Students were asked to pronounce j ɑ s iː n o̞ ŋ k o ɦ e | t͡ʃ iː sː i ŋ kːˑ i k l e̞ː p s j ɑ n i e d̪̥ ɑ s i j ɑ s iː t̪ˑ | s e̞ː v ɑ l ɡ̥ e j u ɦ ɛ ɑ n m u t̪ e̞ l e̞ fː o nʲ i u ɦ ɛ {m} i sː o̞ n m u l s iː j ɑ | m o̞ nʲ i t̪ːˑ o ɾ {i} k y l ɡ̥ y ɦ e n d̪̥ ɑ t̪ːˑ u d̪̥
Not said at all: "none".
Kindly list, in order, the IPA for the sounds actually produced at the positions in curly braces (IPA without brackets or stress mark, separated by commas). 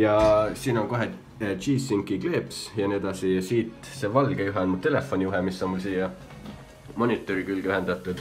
m, i